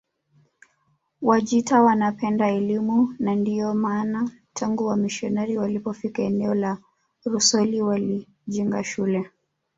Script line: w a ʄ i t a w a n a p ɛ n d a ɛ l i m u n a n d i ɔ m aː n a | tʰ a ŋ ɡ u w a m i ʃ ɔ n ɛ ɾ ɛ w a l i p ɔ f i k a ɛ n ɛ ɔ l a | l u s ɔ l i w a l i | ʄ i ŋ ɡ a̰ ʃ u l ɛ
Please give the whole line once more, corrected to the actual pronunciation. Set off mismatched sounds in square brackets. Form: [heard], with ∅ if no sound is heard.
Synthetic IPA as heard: w a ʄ i t a w a n a p ɛ n d a ɛ l i m u n a n d i ɔ m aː n a | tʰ a ŋ ɡ u w a m i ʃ ɔ n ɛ ɾ [i] w a l i p ɔ f i k a ɛ n ɛ ɔ l a | [ɾ] u s ɔ l i w a l i | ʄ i ŋ ɡ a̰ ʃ u l ɛ